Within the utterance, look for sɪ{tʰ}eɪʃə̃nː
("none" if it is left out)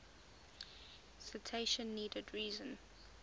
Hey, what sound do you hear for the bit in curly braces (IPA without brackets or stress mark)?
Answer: tʰ